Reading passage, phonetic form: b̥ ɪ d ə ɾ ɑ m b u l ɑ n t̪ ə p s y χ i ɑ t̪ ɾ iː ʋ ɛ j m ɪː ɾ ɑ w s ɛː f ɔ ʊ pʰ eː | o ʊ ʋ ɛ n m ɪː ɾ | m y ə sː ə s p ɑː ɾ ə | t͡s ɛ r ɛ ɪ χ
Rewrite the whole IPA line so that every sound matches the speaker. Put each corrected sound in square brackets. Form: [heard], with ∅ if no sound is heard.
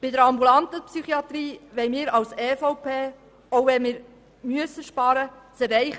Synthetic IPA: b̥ ɪ d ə ɾ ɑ m b u l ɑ n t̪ ə p s y χ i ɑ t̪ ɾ iː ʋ ɛ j m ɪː ɾ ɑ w s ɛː f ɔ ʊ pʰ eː | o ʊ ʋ ɛ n m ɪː ɾ | m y ə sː ə [ʃ] p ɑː ɾ ə | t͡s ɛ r ɛ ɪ χ